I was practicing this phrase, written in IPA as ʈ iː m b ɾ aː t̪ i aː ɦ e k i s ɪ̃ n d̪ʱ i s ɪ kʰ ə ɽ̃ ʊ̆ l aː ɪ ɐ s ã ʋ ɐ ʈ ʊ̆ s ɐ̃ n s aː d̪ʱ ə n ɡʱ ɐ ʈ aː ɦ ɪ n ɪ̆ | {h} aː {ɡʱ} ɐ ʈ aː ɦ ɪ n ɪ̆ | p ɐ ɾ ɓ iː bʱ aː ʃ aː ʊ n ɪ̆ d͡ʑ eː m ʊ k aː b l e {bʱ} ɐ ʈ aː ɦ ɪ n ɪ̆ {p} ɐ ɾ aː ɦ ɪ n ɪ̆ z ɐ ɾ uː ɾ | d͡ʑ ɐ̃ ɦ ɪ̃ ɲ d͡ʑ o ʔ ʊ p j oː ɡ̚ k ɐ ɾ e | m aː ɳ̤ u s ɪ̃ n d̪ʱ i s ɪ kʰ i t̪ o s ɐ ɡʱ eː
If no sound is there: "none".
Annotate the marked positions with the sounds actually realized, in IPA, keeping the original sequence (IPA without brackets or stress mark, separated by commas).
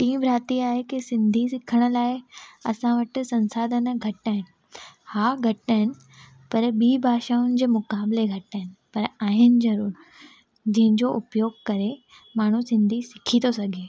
h, ɡʱ, ɡʱ, p